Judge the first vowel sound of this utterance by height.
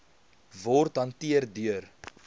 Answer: mid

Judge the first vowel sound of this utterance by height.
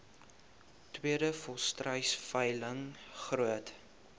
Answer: high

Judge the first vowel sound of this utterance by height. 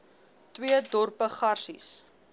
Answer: high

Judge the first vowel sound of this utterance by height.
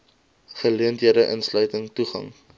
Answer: mid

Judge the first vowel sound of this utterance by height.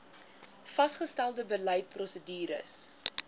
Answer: low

